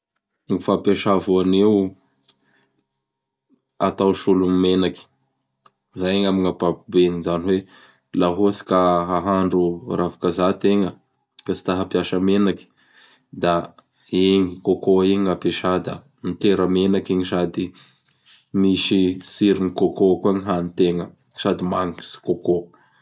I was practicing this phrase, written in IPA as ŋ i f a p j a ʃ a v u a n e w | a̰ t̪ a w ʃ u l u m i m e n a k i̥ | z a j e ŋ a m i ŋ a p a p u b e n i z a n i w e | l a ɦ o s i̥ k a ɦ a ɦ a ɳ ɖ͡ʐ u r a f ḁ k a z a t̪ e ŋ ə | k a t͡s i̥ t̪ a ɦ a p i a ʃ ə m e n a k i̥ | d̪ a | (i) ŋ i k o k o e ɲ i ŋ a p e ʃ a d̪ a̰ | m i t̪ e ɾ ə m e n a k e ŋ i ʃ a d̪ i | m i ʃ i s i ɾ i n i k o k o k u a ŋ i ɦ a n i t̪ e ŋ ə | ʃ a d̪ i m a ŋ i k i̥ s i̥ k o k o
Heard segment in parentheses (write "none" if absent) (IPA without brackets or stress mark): e